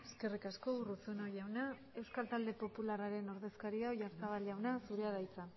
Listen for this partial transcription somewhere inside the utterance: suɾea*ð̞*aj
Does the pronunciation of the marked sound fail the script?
no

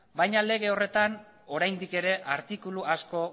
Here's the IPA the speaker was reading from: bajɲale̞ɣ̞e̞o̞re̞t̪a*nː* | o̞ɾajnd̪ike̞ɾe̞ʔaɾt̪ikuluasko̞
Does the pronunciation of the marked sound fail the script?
yes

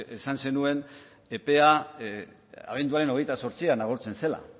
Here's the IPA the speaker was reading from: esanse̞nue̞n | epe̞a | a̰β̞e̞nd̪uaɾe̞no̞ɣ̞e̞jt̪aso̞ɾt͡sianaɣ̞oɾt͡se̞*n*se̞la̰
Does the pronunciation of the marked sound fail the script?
no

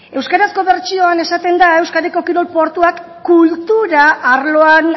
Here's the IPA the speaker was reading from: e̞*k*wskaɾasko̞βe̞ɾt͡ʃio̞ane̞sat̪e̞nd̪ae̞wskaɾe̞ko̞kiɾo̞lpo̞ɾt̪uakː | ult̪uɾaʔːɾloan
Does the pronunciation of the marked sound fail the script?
yes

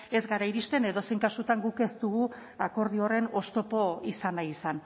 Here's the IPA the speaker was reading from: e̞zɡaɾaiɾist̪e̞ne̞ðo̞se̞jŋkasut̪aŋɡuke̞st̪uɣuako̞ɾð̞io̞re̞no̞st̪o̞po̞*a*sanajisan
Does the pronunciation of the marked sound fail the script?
yes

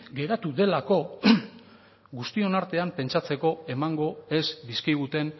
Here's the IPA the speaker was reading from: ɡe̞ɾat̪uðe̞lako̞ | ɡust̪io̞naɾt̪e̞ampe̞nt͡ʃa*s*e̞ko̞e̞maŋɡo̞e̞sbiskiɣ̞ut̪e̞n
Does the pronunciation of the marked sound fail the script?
yes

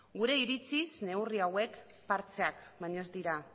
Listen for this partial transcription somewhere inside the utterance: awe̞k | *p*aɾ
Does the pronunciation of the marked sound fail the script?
no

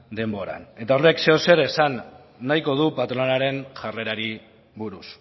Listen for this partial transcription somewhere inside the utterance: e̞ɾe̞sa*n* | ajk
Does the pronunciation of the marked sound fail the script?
yes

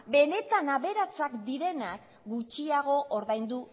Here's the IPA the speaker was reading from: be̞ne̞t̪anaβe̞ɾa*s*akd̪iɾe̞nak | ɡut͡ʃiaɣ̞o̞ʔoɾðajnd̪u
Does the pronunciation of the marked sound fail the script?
yes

